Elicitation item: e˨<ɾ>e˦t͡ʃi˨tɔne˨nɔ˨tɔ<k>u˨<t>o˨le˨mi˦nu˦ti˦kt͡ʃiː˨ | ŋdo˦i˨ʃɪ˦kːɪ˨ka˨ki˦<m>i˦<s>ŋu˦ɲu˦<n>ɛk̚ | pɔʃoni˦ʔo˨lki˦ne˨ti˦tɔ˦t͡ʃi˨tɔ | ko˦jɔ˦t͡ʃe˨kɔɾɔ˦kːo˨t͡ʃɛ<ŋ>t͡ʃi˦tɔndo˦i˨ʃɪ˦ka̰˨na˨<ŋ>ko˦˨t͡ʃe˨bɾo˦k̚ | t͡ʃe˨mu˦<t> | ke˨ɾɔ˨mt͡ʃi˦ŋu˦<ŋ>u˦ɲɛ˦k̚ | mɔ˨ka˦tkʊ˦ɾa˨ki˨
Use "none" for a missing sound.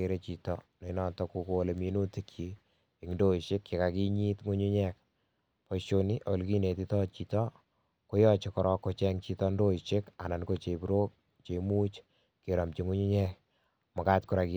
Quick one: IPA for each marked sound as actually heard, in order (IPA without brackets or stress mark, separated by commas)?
ɾ, k, k, ɲ, t, ɲ, ŋ, n, t͡ʃ, ɲ